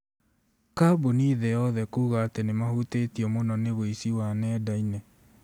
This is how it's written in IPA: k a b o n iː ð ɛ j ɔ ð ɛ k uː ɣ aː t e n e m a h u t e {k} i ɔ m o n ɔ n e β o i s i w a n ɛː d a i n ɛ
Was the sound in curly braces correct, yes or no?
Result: no